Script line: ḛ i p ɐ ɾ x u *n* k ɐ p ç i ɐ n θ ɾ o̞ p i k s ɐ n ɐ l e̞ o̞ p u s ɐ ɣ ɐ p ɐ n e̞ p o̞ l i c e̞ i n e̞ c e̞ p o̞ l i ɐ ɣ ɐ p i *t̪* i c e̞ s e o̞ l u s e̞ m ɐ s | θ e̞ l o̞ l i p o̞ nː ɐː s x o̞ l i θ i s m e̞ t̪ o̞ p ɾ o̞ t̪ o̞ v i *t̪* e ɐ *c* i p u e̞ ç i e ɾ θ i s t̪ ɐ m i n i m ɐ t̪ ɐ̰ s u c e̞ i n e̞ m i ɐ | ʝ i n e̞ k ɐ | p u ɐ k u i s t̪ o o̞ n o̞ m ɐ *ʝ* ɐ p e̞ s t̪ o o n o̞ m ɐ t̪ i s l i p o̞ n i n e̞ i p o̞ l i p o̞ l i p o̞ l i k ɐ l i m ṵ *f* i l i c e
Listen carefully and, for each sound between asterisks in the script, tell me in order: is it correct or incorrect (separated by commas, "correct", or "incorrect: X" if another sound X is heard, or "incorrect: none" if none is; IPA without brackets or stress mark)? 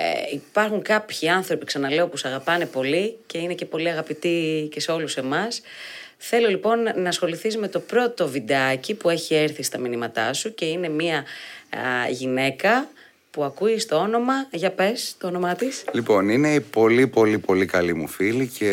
incorrect: ŋ, correct, incorrect: d̪, correct, correct, correct